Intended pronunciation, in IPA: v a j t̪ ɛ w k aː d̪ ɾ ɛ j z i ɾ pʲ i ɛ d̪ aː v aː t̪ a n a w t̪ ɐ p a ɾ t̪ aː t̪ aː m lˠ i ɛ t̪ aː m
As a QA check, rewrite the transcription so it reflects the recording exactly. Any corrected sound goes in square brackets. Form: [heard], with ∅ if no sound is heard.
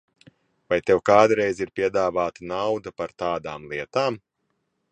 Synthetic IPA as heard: v a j t̪ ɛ w k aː d̪ ɾ ɛ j z i ɾ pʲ i ɛ d̪ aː v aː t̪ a n a w [d̪] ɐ p a ɾ t̪ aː [d̪] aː m lˠ i ɛ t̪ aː m